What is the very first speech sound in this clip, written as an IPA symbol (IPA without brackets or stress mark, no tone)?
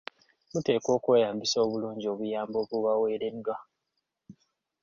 m